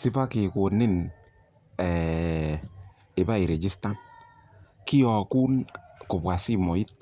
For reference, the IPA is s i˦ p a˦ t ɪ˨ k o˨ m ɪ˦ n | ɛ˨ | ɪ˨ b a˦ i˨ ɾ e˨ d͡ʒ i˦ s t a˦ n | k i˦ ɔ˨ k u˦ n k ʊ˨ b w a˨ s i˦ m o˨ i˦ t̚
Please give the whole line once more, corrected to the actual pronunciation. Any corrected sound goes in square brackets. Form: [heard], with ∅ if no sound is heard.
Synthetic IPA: s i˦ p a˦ [k] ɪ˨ k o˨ [n] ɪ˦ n | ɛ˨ | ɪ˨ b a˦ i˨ ɾ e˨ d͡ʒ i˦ s t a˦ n | k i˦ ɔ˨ k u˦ n k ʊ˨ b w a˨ s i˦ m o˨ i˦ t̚